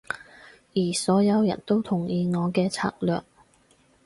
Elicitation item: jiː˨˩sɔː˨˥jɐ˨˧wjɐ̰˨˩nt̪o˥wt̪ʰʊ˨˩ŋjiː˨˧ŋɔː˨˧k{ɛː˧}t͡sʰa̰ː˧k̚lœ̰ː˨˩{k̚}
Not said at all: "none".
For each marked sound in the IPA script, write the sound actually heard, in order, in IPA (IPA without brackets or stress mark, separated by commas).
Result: ɛː˧, k̚